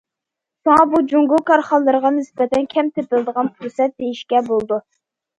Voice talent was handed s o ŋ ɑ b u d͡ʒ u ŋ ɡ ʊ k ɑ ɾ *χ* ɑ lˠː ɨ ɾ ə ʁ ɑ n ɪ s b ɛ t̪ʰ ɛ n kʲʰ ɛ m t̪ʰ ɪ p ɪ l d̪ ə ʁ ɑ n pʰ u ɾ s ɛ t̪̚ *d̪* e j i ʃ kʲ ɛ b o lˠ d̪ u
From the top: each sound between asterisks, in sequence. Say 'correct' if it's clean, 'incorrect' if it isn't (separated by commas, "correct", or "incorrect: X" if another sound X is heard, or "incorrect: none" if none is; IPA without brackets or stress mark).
correct, correct